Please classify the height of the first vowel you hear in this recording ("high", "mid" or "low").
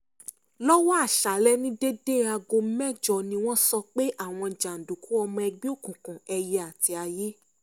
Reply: mid